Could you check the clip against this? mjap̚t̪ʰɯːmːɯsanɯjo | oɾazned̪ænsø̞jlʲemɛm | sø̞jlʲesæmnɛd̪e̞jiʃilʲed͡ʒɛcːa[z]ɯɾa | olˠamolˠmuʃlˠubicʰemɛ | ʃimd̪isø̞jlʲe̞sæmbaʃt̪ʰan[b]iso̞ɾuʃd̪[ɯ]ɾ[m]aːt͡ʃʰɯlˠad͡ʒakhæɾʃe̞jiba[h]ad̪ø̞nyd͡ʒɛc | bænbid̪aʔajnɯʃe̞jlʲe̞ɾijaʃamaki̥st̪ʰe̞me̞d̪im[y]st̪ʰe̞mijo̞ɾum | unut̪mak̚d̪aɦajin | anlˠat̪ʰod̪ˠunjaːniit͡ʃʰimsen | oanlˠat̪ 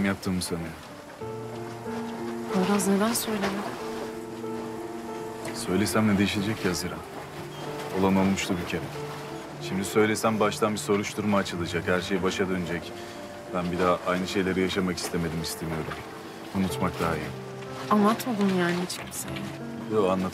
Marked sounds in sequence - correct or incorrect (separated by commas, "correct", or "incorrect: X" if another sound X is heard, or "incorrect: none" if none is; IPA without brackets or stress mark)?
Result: correct, correct, incorrect: u, correct, incorrect: ʃ, incorrect: i